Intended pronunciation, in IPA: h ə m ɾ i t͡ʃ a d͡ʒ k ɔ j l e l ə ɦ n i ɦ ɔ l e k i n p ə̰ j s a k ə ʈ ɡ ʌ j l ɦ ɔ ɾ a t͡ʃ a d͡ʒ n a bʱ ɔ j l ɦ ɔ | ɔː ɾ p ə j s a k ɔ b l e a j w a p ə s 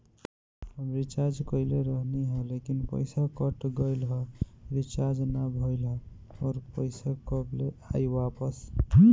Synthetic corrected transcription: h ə m ɾ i t͡ʃ a d͡ʒ k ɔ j l e ɾ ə ɦ n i ɦ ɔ l e k i n p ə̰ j s a k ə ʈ ɡ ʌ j l ɦ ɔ ɾ i t͡ʃ a d͡ʒ n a bʱ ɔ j l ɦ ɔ | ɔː ɾ p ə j s a k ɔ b l e a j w a p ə s